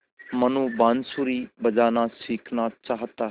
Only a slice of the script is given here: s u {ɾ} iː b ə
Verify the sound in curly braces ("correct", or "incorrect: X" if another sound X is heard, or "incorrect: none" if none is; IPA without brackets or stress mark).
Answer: correct